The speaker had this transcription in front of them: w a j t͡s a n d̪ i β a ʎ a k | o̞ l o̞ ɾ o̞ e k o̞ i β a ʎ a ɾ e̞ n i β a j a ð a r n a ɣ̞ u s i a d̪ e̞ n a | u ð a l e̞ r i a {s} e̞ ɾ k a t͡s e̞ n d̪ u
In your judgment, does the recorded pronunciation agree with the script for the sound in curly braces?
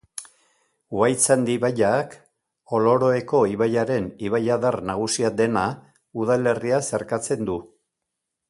yes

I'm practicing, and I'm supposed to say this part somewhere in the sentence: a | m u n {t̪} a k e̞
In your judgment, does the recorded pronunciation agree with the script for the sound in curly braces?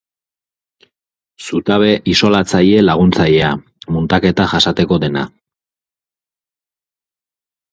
yes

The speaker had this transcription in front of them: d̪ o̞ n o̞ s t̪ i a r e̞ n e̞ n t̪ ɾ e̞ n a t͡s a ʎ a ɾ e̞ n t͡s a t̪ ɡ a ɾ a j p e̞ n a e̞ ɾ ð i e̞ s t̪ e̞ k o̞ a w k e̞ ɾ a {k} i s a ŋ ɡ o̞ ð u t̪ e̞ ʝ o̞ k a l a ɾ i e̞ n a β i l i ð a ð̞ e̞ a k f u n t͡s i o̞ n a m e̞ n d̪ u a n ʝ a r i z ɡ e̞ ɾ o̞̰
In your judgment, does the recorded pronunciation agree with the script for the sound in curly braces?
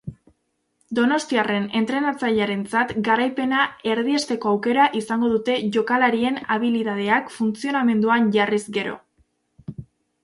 no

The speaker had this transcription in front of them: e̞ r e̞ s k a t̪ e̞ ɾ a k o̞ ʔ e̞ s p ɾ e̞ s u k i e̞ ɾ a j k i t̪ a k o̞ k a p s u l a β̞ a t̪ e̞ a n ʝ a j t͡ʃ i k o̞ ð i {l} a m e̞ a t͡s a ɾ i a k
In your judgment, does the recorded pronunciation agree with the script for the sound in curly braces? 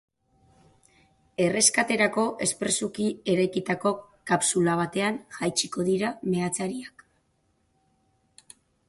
no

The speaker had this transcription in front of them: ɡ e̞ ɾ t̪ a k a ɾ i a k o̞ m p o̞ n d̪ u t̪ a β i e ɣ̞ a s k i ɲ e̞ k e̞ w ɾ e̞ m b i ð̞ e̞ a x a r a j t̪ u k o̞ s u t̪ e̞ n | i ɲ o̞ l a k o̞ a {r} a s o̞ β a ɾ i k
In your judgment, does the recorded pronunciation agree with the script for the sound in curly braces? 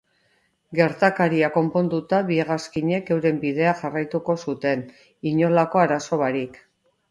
no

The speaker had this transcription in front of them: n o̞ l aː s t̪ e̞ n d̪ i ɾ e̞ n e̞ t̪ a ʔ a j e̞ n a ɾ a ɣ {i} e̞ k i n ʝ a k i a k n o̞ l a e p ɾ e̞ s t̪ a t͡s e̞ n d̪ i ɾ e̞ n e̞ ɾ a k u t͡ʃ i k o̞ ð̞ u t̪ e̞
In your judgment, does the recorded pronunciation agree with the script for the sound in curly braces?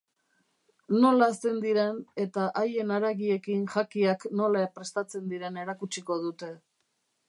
yes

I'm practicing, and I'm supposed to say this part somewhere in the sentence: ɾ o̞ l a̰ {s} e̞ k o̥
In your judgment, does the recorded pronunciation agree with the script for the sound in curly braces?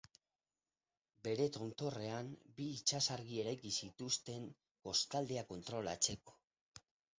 no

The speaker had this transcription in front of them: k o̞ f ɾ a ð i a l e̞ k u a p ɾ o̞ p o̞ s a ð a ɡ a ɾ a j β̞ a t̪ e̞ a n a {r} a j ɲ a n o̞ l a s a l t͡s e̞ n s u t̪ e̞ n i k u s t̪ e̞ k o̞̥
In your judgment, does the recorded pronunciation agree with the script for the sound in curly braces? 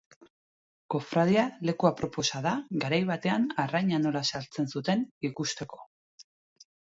yes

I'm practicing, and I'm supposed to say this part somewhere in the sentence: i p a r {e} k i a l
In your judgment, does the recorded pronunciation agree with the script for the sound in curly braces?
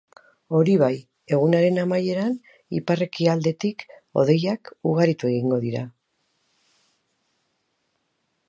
yes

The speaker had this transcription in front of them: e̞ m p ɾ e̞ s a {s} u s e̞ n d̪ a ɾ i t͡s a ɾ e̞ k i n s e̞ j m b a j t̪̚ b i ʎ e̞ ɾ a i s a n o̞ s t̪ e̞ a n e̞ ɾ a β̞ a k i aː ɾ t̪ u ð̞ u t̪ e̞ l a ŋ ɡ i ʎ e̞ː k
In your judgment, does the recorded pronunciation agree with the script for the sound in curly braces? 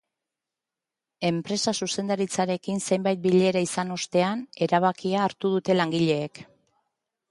yes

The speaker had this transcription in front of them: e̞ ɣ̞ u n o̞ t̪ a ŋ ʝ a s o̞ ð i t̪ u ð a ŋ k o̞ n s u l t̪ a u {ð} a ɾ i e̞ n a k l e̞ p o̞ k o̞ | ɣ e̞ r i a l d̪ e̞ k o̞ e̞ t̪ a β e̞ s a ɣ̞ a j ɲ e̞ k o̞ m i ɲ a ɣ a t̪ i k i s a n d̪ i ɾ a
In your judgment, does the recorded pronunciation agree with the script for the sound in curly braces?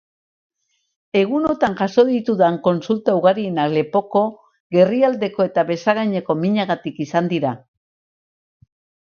no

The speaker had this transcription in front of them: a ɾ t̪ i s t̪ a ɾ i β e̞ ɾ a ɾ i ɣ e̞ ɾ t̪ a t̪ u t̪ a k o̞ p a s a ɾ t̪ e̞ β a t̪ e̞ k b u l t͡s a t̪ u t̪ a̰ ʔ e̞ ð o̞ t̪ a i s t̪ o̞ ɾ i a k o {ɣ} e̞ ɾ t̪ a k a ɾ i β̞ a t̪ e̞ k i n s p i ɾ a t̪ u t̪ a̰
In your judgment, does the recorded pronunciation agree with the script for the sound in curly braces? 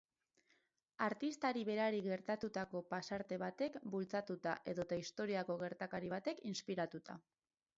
yes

